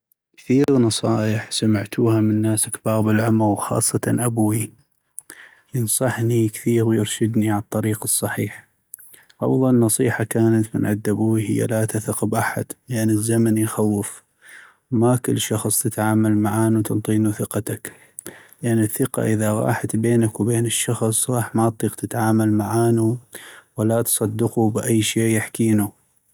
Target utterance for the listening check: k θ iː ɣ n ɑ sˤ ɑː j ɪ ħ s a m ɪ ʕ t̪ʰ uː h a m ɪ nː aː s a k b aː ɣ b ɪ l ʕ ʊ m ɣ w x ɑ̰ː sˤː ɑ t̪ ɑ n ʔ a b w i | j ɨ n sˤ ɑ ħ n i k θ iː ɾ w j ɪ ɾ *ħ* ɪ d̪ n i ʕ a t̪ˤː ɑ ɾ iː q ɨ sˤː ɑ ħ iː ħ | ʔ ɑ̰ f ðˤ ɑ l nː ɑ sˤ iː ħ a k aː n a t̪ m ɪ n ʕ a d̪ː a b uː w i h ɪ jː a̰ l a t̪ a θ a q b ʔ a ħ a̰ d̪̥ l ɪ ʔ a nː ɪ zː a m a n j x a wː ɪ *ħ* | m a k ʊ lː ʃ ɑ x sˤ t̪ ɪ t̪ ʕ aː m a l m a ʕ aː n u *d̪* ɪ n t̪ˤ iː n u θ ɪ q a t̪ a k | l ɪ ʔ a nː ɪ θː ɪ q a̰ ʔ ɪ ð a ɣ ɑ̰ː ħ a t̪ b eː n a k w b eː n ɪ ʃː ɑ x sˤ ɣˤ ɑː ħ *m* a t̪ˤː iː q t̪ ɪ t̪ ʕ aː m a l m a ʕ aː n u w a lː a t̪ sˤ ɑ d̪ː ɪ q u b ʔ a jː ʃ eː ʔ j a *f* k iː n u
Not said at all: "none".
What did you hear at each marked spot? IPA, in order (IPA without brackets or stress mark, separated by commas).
ʃ, f, t̪, m, ħ